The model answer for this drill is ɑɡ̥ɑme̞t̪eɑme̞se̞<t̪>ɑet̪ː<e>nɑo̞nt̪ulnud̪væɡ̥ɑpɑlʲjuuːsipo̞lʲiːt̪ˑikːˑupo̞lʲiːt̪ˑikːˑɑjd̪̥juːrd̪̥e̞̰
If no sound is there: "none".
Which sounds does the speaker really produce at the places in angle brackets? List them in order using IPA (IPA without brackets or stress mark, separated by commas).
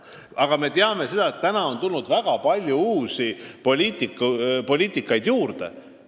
d̪, æ